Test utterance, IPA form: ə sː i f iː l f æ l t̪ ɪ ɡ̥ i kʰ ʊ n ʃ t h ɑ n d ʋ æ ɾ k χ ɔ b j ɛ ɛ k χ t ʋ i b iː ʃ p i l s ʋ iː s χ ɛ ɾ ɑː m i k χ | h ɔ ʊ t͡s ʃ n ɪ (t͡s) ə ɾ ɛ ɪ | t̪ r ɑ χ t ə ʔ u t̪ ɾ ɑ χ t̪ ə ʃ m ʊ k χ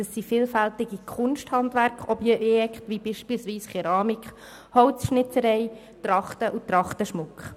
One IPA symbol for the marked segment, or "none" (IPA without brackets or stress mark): t͡s